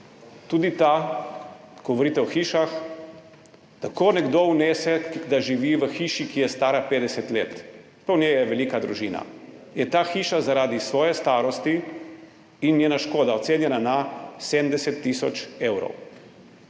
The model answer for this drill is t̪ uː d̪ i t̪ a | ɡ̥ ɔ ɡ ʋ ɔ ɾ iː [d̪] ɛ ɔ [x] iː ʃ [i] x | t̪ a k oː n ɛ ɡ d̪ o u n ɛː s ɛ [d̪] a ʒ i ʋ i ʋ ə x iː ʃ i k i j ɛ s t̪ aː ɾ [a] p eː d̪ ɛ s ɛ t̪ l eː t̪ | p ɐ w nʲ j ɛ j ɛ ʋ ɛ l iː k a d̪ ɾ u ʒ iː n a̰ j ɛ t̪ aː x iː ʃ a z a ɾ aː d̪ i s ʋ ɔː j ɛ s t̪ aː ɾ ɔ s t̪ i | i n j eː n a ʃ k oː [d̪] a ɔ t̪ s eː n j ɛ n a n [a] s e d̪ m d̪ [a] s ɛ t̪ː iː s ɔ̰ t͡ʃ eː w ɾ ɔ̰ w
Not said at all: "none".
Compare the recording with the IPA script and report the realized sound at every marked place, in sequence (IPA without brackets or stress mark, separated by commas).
t̪, x, a, d̪, a, d̪, a, ɛ